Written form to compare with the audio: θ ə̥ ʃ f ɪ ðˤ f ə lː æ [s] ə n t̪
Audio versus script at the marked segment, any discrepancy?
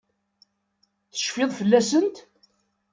no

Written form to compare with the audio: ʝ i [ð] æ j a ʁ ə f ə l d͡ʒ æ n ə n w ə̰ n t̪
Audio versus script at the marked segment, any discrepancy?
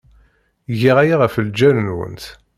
yes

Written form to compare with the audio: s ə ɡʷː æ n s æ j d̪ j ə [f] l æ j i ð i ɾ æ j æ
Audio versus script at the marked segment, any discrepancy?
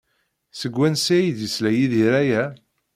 yes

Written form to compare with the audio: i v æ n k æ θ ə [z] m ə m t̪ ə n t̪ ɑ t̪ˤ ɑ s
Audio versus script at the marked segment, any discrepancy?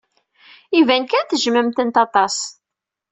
yes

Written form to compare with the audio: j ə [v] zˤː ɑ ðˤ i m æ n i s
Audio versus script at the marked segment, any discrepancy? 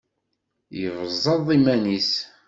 no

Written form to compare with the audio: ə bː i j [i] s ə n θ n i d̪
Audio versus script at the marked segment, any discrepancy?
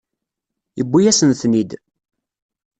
yes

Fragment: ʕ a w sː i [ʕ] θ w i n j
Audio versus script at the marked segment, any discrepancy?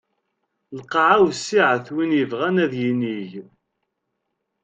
no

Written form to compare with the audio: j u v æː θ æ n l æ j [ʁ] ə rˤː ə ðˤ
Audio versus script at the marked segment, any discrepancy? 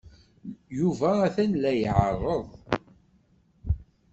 yes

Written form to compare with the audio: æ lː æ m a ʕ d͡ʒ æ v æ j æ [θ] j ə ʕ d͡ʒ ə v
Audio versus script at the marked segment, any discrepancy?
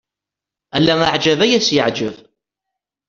yes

